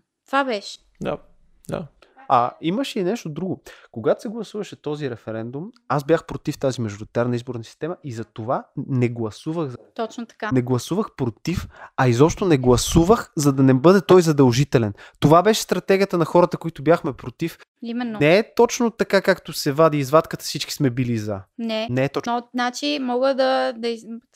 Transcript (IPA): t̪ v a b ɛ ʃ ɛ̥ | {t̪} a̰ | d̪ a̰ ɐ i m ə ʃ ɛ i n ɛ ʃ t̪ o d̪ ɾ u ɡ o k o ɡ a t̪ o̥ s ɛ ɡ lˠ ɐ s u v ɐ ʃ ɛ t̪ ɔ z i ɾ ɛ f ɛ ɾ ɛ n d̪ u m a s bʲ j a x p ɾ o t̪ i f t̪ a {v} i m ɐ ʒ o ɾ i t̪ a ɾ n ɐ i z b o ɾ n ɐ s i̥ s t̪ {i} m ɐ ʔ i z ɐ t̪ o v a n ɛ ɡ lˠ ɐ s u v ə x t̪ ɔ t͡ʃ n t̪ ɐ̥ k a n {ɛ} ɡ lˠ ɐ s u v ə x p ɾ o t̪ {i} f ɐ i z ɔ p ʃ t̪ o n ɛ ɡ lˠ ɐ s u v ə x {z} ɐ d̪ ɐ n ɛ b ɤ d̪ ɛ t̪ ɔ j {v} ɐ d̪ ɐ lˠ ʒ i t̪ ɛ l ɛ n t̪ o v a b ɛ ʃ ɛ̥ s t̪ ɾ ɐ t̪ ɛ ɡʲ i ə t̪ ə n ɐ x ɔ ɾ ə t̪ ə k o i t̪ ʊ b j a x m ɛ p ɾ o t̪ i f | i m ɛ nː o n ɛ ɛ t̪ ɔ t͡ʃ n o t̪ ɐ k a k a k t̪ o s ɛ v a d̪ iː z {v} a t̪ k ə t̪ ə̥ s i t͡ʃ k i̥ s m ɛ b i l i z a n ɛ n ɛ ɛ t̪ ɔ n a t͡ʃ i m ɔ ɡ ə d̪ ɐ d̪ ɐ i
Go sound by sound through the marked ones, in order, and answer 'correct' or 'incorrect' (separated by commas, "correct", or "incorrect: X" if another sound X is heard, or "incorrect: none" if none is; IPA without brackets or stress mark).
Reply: incorrect: d̪, incorrect: z, incorrect: ɛ, correct, correct, correct, incorrect: z, correct